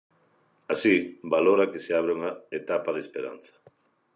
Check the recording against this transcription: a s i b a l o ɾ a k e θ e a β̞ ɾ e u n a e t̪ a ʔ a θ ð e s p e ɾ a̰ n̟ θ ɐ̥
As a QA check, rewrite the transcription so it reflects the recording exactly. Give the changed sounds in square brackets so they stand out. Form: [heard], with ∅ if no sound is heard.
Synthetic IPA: a s i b a l o ɾ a k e [s] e a β̞ ɾ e u [ŋ] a e t̪ a [p] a [∅] ð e s p e ɾ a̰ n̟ θ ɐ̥